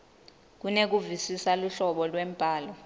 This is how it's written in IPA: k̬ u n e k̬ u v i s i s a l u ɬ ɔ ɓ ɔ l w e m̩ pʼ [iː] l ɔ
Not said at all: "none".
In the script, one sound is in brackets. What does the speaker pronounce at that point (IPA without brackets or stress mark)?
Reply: aː